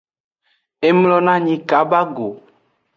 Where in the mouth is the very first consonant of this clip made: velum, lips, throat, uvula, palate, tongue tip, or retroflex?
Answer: lips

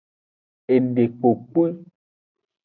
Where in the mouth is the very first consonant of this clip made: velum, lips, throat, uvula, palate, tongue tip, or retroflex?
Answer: tongue tip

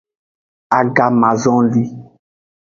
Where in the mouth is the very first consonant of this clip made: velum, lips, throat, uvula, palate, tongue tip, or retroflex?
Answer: velum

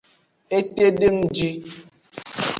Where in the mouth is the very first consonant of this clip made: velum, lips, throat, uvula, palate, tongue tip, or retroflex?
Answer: tongue tip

